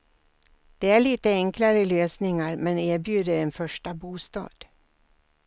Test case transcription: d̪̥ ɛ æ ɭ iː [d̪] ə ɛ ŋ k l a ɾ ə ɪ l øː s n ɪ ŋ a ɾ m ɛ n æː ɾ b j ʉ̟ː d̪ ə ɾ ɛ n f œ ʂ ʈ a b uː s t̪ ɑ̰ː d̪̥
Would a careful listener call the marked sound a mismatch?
yes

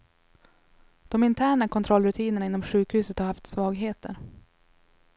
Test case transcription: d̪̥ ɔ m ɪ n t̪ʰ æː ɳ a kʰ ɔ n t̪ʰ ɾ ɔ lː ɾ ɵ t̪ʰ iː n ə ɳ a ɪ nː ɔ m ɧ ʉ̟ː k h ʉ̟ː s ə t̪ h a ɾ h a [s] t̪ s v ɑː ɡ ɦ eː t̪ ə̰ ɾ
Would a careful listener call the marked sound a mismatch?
yes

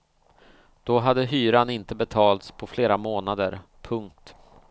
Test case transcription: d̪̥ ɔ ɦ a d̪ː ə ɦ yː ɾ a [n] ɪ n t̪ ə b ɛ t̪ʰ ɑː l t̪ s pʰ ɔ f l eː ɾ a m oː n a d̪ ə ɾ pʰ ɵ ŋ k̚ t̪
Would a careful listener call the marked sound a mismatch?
no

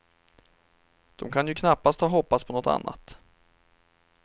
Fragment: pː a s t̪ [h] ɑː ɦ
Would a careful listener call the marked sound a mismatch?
no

